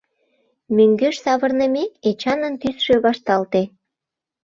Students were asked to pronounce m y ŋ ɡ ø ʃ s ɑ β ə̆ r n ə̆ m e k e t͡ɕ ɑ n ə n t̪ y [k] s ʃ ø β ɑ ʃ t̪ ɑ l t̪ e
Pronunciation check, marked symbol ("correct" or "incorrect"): incorrect